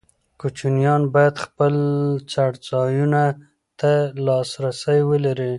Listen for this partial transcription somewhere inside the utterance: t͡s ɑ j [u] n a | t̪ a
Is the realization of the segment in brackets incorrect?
no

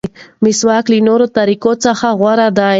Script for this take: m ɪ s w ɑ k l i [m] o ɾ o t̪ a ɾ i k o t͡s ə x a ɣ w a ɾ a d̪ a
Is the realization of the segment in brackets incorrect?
yes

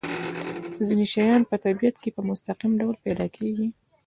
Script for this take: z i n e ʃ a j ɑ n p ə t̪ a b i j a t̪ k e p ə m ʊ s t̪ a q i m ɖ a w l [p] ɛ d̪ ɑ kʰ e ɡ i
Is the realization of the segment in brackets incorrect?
no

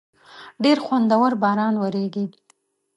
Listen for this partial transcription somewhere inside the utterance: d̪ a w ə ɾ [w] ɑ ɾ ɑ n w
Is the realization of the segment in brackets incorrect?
yes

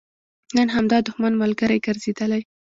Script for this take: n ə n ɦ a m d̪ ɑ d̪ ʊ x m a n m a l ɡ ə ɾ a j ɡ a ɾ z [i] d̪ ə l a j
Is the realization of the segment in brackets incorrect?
yes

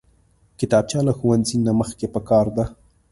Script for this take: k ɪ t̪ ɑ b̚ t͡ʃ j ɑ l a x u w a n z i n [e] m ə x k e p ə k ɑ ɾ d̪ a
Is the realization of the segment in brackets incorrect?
yes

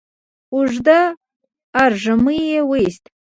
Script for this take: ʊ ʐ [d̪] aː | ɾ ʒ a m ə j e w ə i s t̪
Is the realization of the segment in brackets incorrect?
no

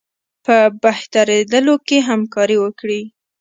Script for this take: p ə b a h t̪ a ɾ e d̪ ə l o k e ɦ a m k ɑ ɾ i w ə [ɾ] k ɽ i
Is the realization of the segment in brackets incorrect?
yes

